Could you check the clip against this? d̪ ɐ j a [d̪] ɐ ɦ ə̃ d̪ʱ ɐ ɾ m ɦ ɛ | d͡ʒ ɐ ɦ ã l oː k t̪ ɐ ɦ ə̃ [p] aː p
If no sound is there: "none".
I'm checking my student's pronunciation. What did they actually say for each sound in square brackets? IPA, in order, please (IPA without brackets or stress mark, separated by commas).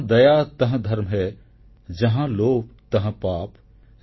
t̪, p